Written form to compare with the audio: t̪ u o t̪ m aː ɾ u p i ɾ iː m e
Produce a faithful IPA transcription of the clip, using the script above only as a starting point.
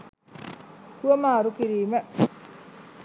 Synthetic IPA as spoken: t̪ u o m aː ɾ u k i ɾ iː m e